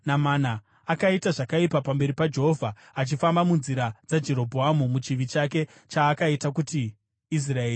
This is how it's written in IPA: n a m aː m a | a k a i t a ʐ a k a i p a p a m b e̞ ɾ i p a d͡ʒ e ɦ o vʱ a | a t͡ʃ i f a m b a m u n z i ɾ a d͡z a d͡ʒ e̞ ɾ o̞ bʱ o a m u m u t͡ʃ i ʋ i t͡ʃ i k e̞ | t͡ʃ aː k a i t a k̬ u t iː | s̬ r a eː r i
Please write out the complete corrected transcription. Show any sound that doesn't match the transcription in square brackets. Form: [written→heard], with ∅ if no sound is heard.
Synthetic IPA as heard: n a m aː [m→n] a | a k a i t a ʐ a k a i p a p a m b e̞ ɾ i p a d͡ʒ e ɦ o vʱ a | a t͡ʃ i f a m b a m u n z i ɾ a d͡z a d͡ʒ e̞ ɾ o̞ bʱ o a m u m u t͡ʃ i ʋ i t͡ʃ [i→a] k e̞ | t͡ʃ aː k a i t a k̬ u t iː | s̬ r a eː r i

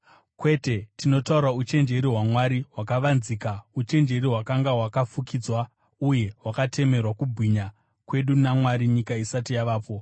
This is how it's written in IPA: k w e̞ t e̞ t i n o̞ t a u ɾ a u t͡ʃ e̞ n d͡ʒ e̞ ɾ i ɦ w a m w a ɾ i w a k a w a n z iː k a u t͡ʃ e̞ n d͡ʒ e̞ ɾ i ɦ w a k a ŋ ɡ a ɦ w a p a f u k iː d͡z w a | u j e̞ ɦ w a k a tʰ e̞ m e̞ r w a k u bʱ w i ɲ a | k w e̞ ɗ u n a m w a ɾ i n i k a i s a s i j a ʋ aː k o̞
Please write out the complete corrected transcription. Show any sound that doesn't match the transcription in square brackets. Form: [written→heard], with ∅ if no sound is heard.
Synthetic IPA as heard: k w e̞ t e̞ t i n o̞ t a u ɾ a u t͡ʃ e̞ n d͡ʒ e̞ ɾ i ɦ w a m w a ɾ i w a k a [w→ʋ] a n z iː k a u t͡ʃ e̞ n d͡ʒ e̞ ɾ i ɦ w a k a ŋ ɡ a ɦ w a [p→k] a f u k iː d͡z w a | u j e̞ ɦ w a k a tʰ e̞ m e̞ r w a k u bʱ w i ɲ a | k w e̞ ɗ u n a m w a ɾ i [n→ɲ] i k a i s a [s→t] i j a ʋ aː [k→p] o̞

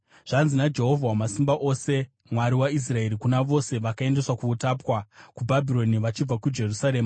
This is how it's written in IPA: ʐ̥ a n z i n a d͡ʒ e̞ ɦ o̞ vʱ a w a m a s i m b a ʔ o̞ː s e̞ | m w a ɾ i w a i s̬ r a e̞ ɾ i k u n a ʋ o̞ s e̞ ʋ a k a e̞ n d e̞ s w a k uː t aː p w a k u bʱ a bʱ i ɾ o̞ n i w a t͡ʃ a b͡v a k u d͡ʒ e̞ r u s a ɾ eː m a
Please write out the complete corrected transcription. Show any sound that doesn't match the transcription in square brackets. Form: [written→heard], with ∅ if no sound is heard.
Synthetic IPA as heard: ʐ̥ a n z i n a d͡ʒ e̞ ɦ o̞ vʱ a w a m a s i m b a ʔ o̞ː s e̞ | m w a ɾ i w a i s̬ r a e̞ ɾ i k u n a ʋ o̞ s e̞ ʋ a k a e̞ n d e̞ s w a k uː t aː p w a k u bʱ a bʱ i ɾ o̞ n i [w→ʋ] a t͡ʃ [a→i] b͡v a k u d͡ʒ e̞ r u s a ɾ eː m a

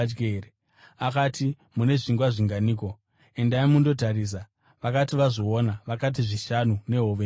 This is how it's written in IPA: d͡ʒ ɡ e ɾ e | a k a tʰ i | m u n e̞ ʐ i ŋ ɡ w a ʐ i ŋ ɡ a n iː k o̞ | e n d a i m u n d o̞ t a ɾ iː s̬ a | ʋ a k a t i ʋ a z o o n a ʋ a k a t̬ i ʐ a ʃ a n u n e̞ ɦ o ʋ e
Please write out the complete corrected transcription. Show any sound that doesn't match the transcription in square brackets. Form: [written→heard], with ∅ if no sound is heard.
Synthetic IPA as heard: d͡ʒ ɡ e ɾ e | a k a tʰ i | m u n e̞ ʐ i ŋ ɡ w a ʐ i ŋ ɡ a n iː k o̞ | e n d a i m u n d o̞ t a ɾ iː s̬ a | ʋ a k a t i ʋ a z o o n a ʋ a k a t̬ i ʐ [a→i] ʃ a n u n e̞ ɦ o ʋ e

